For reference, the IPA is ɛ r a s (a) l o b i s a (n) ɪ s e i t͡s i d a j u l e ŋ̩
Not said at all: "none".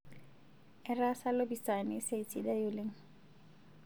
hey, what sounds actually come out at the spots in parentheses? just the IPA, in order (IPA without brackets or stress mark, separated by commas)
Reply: a, n